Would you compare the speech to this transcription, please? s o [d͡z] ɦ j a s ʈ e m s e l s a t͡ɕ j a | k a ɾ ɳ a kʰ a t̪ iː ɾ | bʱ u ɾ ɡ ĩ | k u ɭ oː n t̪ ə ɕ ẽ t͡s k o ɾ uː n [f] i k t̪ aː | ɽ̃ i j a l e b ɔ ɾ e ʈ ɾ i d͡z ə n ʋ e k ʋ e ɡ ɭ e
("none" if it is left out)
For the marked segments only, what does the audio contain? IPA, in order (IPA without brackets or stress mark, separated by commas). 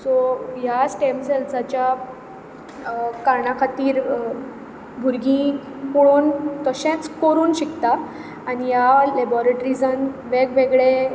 none, ɕ